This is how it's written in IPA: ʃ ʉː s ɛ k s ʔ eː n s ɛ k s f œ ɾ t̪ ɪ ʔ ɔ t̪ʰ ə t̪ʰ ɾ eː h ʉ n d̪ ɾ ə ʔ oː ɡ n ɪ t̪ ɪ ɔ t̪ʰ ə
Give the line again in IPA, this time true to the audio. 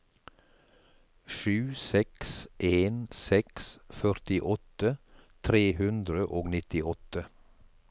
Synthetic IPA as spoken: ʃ ʉː s ɛ k s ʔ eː n s ɛ k s f œ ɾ t̪ ɪ ʔ ɔ t̪ ə t̪ʰ ɾ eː h ʉ n d̪ ɾ ə ʔ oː ɡ n ɪ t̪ ɪ ɔ t̪ ə